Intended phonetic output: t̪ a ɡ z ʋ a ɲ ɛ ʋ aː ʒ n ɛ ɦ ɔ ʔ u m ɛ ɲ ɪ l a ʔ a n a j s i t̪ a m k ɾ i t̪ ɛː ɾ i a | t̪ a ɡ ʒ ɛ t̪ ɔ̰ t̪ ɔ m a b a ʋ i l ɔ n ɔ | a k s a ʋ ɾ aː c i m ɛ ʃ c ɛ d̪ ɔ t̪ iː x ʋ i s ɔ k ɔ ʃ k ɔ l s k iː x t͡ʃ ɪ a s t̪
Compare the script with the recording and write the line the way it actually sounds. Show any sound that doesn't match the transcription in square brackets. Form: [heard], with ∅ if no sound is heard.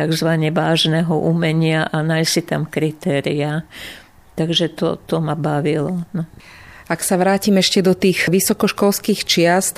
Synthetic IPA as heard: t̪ a ɡ z ʋ a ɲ ɛ ʋ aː ʒ n ɛ ɦ ɔ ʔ u m ɛ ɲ ɪ [∅] a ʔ a n a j s i t̪ a m k ɾ i t̪ ɛː ɾ i a | t̪ a ɡ ʒ ɛ t̪ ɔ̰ t̪ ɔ m a b a ʋ i l ɔ n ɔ | a k s a ʋ ɾ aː c i m ɛ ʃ c ɛ d̪ ɔ t̪ iː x ʋ i s ɔ k ɔ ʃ k ɔ l s k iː x t͡ʃ ɪ a s t̪